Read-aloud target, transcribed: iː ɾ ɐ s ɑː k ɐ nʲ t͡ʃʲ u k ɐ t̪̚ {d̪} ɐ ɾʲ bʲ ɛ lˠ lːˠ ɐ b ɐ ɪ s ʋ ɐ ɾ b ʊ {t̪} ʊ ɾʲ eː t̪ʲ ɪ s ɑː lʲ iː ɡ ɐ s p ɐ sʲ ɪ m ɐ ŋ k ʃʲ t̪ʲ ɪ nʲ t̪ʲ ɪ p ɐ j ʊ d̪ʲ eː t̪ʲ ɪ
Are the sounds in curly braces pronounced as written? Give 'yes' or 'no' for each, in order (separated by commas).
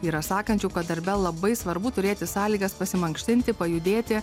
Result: yes, yes